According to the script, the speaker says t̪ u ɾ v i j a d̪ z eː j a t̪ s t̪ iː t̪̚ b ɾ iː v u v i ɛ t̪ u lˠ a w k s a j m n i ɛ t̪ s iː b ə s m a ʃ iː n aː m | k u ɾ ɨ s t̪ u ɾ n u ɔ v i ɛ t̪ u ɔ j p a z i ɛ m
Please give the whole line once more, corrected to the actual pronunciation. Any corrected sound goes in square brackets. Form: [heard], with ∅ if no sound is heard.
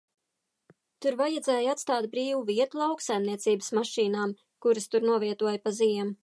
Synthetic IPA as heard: t̪ u ɾ v [a] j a d̪ z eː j a t̪ s t̪ [aː] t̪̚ b ɾ iː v u v i ɛ t̪ u lˠ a w k s a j m n i ɛ t̪ s iː b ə s m a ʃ iː n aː m | k u ɾ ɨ s t̪ u ɾ n u ɔ v i ɛ t̪ u ɔ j p a z i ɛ m

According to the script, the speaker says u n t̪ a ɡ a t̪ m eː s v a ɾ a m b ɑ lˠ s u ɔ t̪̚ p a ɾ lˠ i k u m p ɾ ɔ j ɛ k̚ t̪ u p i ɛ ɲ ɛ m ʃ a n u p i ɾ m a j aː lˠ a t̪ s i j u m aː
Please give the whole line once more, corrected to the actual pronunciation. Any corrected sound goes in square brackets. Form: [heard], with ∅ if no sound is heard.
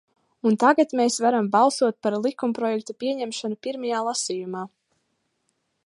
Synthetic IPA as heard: u n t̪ a ɡ a t̪ m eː s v a ɾ a m b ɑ lˠ s u ɔ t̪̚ p a ɾ lˠ i k u m p ɾ ɔ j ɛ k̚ t̪ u p i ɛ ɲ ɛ m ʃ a n u p i ɾ m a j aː lˠ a [∅] s i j u m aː

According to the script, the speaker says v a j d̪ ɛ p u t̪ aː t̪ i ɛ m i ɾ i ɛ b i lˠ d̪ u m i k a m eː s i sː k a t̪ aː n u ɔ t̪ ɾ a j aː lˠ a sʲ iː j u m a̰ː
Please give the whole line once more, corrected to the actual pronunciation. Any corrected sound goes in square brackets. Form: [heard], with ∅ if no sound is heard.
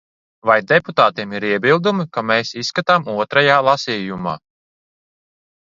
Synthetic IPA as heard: v a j d̪ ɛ p u t̪ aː t̪ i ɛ m i ɾ i ɛ b i lˠ d̪ u m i k a m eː s i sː k a t̪ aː [m] u ɔ t̪ ɾ a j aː lˠ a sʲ iː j u m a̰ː

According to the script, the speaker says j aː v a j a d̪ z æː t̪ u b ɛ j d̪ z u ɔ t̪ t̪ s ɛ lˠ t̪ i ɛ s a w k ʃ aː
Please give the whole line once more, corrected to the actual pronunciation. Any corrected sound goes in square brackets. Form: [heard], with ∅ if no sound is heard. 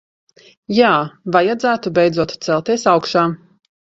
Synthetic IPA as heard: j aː v a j a d̪ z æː t̪ u b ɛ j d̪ z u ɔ t̪ t̪ s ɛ lˠ t̪ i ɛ s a w k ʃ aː

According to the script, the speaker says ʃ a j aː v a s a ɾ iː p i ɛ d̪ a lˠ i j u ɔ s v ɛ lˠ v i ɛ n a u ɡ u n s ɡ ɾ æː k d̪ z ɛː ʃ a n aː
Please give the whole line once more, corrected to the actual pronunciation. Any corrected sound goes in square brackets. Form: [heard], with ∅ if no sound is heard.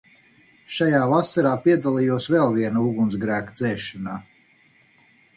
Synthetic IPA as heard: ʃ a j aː v a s a ɾ [aː] p i ɛ d̪ a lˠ i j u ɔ s v ɛ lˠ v i ɛ n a u ɡ u n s ɡ ɾ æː k d̪ z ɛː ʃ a n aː

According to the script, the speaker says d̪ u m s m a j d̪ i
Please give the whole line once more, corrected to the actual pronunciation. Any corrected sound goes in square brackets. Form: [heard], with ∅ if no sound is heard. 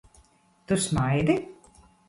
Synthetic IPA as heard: [t̪] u [∅] s m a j d̪ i

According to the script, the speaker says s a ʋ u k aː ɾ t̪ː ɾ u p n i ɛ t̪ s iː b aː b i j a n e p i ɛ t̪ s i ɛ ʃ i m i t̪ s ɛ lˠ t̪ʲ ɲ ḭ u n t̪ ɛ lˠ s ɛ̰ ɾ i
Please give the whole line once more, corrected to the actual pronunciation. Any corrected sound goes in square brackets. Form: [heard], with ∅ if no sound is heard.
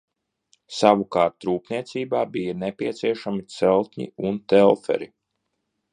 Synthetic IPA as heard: s a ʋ u k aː ɾ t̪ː ɾ [uː] p n i ɛ t̪ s iː b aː b i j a n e p i ɛ t̪ s i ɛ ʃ [a] m i t̪ s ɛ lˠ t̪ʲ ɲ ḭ u n t̪ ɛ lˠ [f] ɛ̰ ɾ i

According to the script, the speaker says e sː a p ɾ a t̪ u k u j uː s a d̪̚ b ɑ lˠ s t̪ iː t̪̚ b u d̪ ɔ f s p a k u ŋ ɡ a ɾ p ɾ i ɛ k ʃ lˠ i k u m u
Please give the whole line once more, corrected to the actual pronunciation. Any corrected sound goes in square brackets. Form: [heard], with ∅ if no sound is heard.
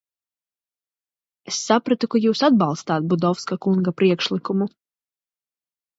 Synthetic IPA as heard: e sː a p ɾ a t̪ u k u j uː s a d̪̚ b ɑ lˠ s t̪ [aː] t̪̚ b u d̪ ɔ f s [k] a k u ŋ ɡ a [∅] p ɾ i ɛ k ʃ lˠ i k u m u

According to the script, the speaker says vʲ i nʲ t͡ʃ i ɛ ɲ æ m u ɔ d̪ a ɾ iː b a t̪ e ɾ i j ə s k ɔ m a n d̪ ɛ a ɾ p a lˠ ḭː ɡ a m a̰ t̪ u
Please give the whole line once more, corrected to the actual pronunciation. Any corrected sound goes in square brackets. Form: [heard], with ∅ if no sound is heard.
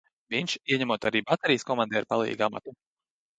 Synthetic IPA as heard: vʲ i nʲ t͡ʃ i ɛ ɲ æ m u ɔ [t̪] a ɾ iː b a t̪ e ɾ i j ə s k ɔ m a n d̪ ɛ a ɾ p a lˠ ḭː ɡ a m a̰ t̪ u

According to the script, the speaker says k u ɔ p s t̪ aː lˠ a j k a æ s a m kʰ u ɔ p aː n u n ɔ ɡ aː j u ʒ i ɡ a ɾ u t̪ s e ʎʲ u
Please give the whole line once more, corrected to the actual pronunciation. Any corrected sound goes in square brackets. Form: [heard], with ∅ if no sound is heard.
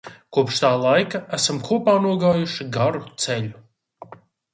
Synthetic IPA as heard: k u ɔ p [ʃ] t̪ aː lˠ a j k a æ s a m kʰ u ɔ p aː n u [∅] ɔ ɡ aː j u [ʃ] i ɡ a ɾ u t̪ s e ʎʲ u

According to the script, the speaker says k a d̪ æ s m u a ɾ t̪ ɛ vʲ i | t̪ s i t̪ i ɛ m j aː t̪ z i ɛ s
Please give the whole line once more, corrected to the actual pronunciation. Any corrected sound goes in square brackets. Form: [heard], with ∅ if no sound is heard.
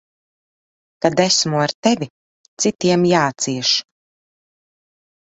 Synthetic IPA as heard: k a d̪ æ s m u a ɾ t̪ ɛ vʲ i | t̪ s i t̪ i ɛ m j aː t̪ [s] i ɛ [ʃ]

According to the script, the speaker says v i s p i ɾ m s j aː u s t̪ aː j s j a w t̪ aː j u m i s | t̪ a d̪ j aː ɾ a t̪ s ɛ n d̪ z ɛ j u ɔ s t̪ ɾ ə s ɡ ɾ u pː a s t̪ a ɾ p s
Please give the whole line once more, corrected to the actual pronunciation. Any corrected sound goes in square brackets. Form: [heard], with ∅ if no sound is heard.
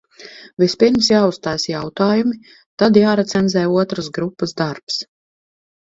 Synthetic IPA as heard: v i s p i ɾ m s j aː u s t̪ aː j s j a w t̪ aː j u m i [∅] | t̪ a d̪ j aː ɾ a t̪ s ɛ n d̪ z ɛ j u ɔ [∅] t̪ ɾ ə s ɡ ɾ u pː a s [d̪] a ɾ p s

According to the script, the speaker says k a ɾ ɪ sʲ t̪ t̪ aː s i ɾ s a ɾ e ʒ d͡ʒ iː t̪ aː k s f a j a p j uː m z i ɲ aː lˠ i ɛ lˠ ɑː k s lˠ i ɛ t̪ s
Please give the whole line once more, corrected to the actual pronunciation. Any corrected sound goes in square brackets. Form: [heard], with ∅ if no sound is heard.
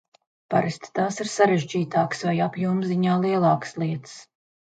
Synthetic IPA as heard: [p] a ɾ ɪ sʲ t̪ t̪ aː s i ɾ s a ɾ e ʒ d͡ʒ iː t̪ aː k s [v] a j a p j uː m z i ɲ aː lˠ i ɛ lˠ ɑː k s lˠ i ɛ t̪ s

